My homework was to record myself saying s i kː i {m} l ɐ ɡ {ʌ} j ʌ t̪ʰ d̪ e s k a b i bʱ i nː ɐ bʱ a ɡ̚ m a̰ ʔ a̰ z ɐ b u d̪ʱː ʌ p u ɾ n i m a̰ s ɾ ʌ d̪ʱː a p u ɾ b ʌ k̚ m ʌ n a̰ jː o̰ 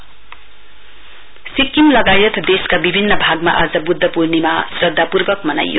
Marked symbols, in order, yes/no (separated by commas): yes, no